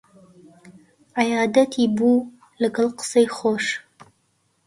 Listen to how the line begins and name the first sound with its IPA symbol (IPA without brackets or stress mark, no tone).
ʕ